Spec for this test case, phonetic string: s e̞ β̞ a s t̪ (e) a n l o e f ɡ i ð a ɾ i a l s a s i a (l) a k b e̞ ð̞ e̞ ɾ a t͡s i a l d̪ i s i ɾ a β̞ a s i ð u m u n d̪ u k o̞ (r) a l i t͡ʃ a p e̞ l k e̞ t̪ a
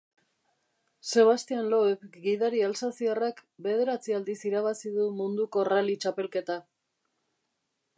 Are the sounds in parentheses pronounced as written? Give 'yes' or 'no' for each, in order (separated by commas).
no, no, yes